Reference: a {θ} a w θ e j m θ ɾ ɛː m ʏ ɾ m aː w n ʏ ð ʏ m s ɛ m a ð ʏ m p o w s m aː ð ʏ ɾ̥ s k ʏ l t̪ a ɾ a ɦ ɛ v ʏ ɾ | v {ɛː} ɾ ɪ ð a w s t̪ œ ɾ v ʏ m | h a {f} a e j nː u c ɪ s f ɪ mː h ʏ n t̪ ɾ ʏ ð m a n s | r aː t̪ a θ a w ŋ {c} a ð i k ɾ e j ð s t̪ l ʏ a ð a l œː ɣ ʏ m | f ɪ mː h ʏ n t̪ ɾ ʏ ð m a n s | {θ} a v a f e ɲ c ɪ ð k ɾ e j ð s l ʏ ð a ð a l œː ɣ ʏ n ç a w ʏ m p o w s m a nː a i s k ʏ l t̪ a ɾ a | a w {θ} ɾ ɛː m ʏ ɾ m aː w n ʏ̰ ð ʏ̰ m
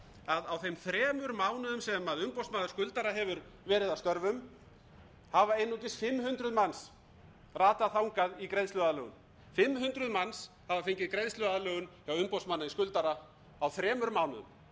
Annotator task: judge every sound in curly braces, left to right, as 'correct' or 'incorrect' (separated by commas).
incorrect, correct, incorrect, incorrect, incorrect, correct